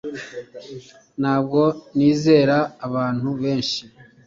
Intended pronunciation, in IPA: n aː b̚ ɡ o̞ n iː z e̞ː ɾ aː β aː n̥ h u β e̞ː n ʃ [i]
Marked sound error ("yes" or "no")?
no